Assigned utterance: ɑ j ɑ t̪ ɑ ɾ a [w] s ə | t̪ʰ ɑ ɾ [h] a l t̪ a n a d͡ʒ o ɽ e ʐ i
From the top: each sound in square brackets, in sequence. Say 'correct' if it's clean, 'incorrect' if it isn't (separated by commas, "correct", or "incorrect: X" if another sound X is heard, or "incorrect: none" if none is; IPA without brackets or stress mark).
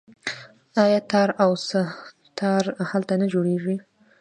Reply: correct, correct